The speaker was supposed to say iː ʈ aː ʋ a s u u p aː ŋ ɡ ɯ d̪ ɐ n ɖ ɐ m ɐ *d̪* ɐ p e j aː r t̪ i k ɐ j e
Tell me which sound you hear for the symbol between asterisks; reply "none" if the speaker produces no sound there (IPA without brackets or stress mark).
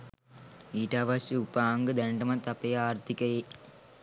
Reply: t̪